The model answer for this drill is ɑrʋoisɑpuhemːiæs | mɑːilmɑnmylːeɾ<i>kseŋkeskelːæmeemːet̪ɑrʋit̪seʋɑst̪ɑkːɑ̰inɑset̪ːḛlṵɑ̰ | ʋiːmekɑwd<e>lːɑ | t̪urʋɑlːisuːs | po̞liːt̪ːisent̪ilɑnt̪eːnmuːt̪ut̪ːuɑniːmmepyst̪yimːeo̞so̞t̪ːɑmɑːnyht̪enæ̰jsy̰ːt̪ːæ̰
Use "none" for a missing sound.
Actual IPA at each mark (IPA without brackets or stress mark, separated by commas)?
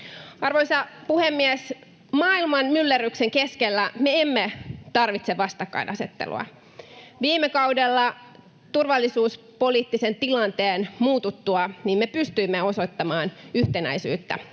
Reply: y, e